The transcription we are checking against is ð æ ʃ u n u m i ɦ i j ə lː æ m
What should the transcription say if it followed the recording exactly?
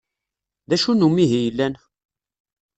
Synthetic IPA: ð æ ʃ u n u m i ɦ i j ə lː æ n